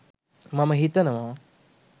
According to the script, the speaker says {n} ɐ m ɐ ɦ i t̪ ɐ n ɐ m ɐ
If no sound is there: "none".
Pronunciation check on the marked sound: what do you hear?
m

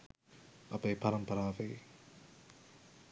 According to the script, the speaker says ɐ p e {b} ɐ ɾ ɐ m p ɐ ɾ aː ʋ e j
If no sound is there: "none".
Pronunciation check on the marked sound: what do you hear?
p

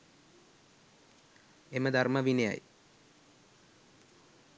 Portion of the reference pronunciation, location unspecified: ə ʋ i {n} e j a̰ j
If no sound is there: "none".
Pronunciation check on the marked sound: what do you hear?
n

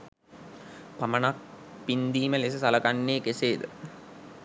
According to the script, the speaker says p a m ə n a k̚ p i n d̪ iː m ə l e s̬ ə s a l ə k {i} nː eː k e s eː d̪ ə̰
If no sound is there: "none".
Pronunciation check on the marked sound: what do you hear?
a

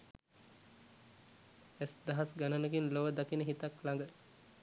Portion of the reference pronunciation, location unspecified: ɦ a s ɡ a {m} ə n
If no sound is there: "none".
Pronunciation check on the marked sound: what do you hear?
n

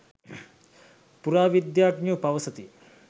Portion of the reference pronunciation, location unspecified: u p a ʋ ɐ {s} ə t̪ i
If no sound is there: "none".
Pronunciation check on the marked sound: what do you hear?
s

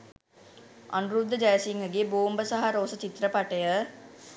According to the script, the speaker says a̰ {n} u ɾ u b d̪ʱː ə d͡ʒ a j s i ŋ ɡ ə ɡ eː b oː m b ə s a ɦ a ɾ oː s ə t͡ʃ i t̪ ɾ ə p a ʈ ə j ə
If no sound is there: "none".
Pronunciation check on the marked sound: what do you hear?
n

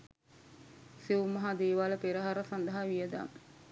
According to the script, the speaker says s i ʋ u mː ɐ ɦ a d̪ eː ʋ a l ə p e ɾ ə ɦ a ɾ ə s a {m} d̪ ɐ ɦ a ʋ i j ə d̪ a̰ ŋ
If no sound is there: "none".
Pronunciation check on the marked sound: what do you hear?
n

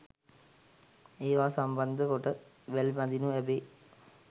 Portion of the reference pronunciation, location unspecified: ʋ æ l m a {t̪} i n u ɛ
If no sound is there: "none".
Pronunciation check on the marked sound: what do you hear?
d̪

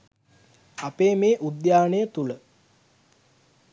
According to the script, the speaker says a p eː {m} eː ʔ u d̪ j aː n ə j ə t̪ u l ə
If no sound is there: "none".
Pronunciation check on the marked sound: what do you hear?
m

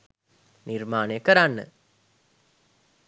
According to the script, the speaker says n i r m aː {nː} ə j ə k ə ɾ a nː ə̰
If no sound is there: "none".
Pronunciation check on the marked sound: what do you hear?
n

